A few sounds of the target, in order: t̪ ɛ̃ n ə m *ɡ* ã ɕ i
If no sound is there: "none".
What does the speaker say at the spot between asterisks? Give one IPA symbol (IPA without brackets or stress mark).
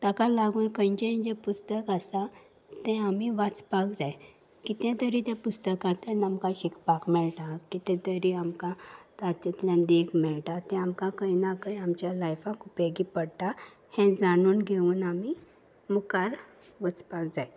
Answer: k